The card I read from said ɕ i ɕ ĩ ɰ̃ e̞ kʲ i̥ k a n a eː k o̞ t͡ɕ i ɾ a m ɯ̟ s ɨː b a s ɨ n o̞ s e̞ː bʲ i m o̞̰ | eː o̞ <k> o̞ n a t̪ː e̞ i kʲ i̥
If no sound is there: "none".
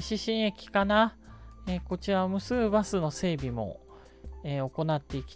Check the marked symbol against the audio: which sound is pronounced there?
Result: k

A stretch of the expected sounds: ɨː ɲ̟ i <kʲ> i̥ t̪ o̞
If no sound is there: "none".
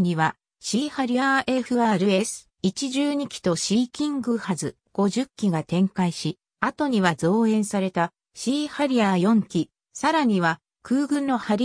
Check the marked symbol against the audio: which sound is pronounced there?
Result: kʲ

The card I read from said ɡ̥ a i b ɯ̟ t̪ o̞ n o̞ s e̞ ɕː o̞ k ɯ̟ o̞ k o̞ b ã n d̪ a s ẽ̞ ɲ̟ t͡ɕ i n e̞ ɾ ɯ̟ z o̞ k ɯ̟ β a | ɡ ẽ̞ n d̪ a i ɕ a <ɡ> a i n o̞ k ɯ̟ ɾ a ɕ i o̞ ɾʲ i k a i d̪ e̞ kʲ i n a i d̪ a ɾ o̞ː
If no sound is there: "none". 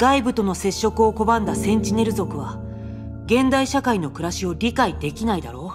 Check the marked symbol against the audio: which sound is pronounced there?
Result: k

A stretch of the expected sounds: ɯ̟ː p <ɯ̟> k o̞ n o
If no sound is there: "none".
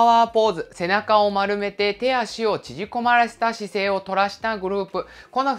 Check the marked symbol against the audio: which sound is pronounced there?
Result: ɯ̟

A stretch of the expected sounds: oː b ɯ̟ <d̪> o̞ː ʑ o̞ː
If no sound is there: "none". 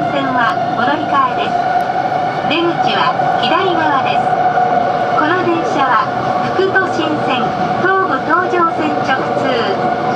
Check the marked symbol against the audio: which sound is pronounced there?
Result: t̪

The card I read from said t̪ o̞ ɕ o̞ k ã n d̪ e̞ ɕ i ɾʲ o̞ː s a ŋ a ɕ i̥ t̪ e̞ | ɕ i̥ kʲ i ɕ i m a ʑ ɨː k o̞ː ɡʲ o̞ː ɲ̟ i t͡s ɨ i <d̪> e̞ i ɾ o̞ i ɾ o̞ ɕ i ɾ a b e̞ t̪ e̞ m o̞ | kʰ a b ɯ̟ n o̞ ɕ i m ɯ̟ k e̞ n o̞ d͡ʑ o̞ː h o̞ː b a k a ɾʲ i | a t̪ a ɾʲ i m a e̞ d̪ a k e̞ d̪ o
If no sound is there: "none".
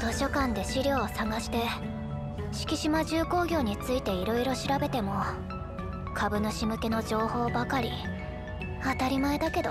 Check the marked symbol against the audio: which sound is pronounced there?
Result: t̪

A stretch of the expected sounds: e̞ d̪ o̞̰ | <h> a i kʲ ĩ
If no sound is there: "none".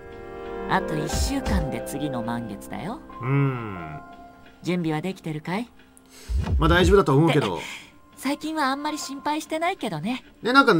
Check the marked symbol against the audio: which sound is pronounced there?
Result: s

